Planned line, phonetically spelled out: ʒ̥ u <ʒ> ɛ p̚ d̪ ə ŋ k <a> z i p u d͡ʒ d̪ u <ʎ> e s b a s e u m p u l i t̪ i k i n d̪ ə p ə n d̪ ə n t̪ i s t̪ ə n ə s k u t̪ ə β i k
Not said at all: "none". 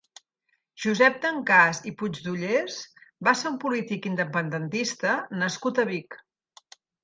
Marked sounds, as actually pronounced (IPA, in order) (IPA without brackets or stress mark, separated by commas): z, a, ʎ